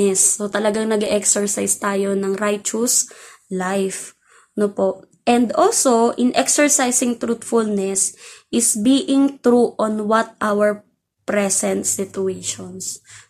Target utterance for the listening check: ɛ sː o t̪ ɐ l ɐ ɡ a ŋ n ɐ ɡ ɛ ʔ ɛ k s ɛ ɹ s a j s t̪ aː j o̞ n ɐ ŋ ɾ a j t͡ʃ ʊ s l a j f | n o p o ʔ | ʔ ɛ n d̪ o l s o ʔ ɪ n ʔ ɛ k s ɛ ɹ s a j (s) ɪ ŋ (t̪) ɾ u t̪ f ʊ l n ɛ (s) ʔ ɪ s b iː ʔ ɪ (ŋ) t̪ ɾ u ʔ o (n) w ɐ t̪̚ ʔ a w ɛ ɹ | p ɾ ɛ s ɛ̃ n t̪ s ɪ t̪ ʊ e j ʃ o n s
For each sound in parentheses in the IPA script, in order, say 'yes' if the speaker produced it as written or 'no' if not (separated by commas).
yes, yes, yes, yes, yes